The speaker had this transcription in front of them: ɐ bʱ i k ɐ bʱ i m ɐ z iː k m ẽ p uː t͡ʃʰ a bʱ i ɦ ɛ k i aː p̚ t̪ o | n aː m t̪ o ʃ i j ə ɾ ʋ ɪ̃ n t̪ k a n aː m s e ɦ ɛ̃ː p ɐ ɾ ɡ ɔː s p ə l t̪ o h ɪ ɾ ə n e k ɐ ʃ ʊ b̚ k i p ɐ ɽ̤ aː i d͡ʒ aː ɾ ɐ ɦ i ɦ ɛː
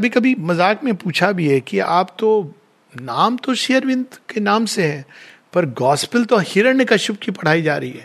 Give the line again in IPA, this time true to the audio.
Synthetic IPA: ɐ bʱ i k ɐ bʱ i m ɐ z aː k m ẽ p uː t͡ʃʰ a bʱ i ɦ ɛ k i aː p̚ t̪ o | n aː m t̪ o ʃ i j ə ɾ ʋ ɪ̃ n d̪ k e n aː m s e ɦ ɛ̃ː p ɐ ɾ ɡ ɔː s p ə l t̪ o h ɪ ɾ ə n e k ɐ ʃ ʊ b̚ k i p ɐ ɽ̤ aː i d͡ʒ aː ɾ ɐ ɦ i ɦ ɛː